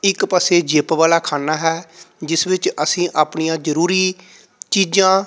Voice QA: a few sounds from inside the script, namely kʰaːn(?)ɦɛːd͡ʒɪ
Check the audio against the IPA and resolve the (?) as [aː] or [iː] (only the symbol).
aː